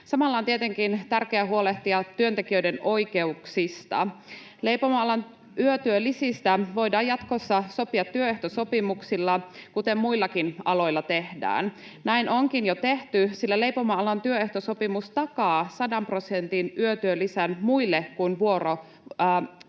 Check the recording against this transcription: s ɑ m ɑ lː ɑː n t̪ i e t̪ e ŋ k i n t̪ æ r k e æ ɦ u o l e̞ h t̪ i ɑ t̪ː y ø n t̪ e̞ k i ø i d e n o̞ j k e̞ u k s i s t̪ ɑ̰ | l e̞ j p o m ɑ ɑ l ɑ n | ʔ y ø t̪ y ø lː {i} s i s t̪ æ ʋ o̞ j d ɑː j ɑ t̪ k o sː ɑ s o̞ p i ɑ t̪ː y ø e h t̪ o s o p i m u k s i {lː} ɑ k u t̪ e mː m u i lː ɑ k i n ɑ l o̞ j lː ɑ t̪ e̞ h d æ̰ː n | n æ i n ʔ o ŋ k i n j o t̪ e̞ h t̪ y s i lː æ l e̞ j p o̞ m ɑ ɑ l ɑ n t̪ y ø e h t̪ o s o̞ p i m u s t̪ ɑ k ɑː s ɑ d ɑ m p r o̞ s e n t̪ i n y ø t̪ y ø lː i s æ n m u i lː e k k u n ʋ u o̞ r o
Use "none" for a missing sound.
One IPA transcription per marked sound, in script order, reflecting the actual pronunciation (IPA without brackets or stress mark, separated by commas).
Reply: i, lː